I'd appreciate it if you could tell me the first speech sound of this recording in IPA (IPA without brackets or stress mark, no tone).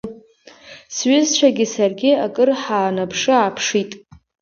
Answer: s